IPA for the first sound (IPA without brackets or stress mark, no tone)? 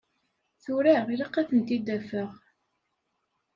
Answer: θ